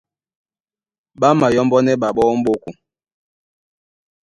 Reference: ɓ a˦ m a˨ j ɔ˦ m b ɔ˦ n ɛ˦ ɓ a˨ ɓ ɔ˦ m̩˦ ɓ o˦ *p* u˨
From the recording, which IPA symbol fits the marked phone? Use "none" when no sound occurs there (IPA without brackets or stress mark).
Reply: k